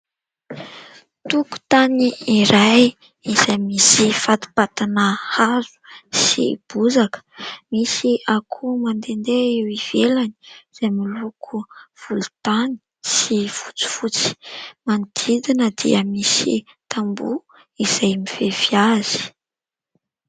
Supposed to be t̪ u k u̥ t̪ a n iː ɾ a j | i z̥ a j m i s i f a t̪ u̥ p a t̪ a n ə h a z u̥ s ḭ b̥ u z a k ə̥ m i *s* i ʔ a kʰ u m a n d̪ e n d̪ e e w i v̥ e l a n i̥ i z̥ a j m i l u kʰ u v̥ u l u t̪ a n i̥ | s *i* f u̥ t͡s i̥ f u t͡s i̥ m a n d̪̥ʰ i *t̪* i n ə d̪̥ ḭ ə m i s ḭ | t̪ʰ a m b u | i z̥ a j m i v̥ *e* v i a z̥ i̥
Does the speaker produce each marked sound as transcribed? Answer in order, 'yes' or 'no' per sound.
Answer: yes, yes, no, yes

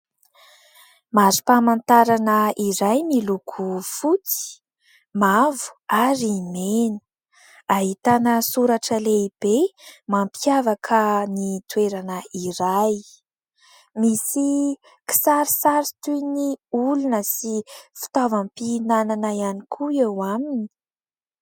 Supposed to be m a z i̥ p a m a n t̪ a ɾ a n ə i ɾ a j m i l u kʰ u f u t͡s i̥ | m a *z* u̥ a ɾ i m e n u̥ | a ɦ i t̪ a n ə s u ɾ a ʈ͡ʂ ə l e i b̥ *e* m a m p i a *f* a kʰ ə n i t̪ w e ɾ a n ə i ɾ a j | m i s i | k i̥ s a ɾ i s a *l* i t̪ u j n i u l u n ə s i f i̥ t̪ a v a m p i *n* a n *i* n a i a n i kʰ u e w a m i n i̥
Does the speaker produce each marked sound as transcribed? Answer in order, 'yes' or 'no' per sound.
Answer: no, yes, no, no, yes, no

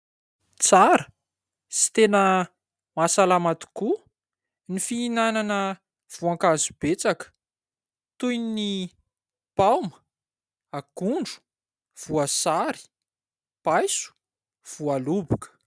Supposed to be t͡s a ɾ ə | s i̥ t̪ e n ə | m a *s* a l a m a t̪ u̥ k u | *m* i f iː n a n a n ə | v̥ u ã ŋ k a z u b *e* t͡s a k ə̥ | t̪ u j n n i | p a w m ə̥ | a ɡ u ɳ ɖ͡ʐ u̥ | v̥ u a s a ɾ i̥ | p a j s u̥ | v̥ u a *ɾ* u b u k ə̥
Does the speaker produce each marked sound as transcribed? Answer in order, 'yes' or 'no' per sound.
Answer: yes, no, yes, no

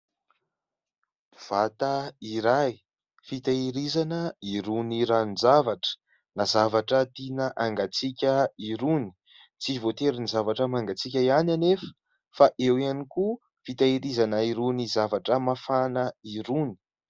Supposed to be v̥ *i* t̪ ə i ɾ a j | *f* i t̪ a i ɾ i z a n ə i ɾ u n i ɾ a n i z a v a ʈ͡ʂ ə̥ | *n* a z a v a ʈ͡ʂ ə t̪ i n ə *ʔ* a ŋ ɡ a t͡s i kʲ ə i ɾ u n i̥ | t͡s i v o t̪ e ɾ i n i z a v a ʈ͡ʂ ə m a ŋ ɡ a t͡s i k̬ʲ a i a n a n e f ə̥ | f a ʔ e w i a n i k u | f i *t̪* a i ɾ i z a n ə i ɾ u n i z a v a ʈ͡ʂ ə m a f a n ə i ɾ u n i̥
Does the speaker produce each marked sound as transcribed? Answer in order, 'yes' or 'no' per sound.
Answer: no, yes, yes, yes, yes

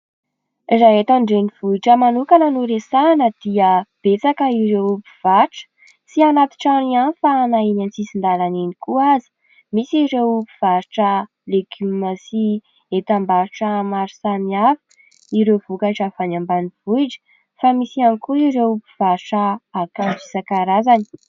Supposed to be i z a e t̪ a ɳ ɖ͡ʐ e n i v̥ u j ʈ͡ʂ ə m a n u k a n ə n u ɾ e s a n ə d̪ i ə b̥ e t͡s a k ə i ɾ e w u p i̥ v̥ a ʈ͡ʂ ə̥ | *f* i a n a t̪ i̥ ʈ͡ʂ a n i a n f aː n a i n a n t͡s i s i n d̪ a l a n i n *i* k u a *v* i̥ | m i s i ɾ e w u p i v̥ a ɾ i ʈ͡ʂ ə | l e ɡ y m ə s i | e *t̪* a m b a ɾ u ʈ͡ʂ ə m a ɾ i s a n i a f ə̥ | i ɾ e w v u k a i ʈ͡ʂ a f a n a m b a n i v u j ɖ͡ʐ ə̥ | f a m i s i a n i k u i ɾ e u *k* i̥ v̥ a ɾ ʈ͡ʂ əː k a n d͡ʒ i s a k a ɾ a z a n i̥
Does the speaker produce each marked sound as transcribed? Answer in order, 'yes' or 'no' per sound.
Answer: no, yes, no, yes, no

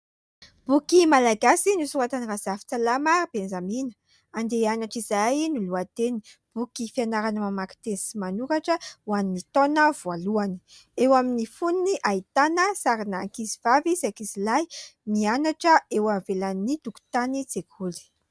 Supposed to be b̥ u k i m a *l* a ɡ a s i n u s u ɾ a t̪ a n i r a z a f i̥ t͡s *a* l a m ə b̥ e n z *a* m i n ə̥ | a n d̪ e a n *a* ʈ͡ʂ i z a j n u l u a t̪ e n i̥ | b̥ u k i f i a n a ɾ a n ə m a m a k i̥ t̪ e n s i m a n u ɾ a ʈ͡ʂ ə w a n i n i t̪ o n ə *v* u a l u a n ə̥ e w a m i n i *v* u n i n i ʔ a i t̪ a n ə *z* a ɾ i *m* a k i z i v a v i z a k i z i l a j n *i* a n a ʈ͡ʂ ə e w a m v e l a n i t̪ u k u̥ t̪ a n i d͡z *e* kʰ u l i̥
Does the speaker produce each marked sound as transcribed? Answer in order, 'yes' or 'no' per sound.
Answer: yes, yes, yes, yes, yes, no, no, no, yes, yes

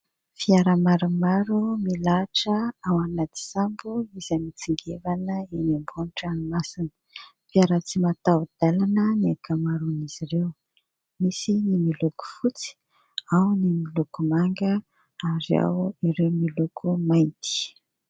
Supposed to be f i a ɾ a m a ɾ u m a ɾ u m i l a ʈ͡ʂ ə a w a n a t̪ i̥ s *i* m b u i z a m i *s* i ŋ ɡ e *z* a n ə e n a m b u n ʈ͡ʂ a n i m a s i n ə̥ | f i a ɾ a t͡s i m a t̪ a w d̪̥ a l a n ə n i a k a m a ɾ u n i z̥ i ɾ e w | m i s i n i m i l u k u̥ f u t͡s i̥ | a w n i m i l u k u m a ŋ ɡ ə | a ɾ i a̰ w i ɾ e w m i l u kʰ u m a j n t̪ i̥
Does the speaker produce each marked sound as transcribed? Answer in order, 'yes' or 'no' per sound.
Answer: no, no, no

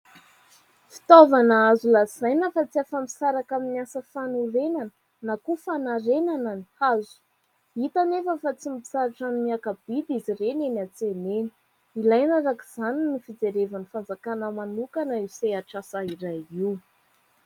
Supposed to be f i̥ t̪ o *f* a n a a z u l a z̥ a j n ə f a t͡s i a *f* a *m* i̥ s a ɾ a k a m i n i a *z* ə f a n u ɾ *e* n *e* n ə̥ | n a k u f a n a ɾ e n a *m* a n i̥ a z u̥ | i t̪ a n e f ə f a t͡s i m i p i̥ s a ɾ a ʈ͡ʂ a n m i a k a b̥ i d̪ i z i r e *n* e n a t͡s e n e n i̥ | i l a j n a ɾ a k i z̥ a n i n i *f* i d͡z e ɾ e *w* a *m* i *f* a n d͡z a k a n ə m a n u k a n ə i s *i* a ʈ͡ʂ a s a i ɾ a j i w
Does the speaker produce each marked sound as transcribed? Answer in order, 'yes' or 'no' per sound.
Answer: no, yes, yes, no, yes, no, no, yes, yes, no, no, yes, no

